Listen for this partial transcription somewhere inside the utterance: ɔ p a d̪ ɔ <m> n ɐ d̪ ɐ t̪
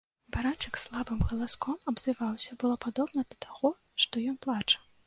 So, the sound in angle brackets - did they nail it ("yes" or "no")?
no